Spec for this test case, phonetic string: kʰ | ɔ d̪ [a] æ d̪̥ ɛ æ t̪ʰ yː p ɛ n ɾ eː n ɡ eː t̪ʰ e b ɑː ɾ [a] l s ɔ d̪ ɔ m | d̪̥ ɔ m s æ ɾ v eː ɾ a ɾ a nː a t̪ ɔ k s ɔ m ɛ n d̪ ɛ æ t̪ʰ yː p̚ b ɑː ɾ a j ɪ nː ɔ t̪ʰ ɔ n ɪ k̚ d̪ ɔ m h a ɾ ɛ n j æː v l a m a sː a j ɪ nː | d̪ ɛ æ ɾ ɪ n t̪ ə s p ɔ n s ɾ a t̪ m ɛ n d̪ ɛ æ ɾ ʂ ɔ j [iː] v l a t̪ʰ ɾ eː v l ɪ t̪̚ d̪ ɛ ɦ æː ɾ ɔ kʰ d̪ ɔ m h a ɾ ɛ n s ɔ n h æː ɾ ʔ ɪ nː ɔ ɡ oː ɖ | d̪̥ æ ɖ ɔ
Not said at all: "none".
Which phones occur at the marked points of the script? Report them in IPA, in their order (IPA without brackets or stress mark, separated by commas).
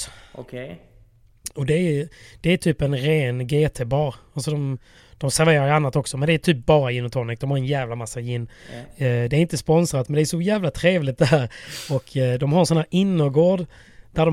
ɛ, a, æː